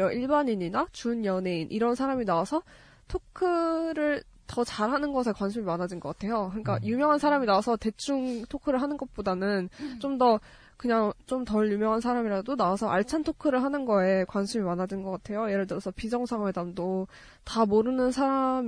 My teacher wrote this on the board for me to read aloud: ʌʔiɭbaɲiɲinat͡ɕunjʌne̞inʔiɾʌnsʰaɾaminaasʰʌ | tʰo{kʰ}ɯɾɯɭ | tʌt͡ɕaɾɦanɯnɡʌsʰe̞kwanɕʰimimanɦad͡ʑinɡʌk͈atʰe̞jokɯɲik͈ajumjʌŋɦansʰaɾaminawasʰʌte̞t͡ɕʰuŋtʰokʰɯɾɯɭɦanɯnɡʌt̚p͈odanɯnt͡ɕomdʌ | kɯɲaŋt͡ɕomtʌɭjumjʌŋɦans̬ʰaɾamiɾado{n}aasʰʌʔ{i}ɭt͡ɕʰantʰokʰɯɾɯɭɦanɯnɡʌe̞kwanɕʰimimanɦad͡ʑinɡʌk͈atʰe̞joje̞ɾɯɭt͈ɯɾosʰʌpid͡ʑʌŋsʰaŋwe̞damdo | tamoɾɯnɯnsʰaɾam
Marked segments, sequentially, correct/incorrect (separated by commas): correct, correct, incorrect